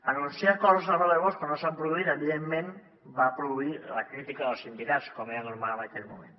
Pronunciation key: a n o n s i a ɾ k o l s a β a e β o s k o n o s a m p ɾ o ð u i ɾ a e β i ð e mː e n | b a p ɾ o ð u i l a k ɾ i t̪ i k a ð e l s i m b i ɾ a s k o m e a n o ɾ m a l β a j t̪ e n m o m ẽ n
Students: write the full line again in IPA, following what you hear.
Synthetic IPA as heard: a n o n s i a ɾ k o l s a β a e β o s k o n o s a m p ɾ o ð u i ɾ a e β i ð e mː e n | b a p ɾ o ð u i l a k ɾ i t̪ i k a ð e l s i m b i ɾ a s k o m e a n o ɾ m a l β a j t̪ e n m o m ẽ n

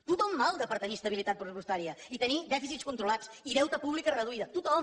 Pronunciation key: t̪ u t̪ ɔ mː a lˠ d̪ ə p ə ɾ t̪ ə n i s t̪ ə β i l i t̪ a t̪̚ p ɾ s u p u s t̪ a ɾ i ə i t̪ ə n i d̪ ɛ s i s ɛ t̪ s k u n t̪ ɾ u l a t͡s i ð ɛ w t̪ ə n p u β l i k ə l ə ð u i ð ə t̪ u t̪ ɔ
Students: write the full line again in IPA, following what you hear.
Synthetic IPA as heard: t̪ u t̪ ɔ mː a lˠ d̪ ə p ə ɾ t̪ ə n i s t̪ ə β i l i t̪ a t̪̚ p ɾ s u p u s t̪ a ɾ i ə i t̪ ə n i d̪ ɛ f i s i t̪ s k u n t̪ ɾ u l a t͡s i ð ɛ w t̪ ə p u β l i k ə r ə ð u i ð ə t̪ u t̪ ɔ

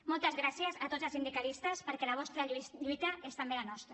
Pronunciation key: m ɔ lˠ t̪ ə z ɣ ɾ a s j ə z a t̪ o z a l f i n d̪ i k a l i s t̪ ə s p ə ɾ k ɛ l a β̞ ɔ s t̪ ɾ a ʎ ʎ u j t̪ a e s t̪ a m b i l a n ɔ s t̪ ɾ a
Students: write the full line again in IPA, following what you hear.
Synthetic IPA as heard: m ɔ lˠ t̪ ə z ɣ ɾ a s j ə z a t̪ o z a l s i n d̪ i k a l i s t̪ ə s p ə ɾ k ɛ l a β̞ ɔ s t̪ ɾ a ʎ ʎ u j t̪ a e s t̪ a m b e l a n ɔ s t̪ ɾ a

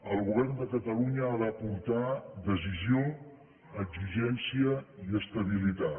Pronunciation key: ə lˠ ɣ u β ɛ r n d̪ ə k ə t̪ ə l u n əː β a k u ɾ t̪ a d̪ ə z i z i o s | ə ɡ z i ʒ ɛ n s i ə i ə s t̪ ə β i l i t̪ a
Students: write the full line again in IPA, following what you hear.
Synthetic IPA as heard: ə lˠ ɣ u β ɛ r n d̪ ə k ə t̪ ə l u ɲ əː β a p u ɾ t̪ a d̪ ə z i z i o | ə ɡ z i ʒ ɛ n s i ə i ə s t̪ ə β i l i t̪ a

